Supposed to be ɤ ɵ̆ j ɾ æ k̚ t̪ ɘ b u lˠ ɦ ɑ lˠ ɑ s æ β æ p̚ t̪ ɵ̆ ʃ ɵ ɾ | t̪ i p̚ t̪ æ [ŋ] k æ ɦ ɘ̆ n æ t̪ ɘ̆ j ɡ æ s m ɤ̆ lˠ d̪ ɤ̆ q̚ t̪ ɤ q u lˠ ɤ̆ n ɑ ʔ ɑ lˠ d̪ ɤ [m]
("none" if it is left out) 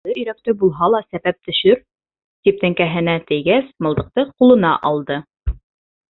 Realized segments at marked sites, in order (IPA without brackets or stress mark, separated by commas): ŋ, none